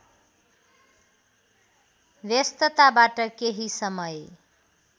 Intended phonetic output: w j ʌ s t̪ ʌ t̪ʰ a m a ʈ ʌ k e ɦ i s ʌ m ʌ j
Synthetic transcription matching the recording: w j ʌ s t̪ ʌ t̪ a b a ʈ ʌ k e ɦ i s ʌ m ʌ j